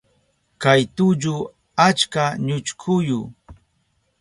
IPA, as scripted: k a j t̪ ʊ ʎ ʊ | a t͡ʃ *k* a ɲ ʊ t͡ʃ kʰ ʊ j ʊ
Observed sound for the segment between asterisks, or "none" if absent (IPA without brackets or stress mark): k